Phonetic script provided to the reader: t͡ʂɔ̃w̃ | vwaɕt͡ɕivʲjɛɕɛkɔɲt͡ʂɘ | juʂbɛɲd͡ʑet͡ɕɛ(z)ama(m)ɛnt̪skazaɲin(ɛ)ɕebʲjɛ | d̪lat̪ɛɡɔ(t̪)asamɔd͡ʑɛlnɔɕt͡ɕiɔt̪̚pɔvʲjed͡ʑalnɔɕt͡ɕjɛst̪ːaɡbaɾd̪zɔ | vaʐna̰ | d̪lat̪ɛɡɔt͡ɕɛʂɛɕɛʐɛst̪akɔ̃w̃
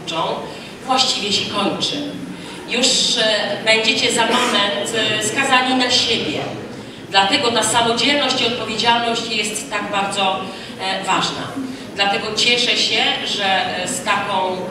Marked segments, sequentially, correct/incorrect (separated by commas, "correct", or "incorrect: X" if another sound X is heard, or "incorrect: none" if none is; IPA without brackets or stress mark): correct, correct, incorrect: a, correct